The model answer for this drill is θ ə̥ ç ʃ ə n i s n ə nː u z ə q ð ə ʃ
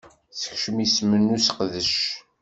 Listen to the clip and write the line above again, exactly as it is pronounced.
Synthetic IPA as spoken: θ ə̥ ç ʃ ə m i s m ə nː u s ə q ð ə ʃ